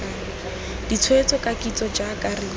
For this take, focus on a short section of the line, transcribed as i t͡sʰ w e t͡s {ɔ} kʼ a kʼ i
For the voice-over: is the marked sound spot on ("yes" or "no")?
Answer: yes